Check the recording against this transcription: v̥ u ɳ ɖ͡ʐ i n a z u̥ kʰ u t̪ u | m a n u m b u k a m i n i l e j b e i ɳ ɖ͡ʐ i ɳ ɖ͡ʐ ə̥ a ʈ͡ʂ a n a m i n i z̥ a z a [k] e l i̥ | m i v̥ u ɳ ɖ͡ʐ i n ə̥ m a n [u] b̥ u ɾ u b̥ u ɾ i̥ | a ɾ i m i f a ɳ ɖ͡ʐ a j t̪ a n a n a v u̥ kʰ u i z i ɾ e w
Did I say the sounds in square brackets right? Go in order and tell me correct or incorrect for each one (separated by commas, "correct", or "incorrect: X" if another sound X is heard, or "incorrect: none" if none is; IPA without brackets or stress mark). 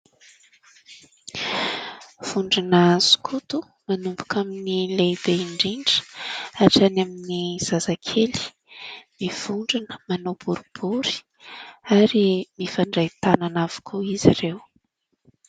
incorrect: kʰ, incorrect: o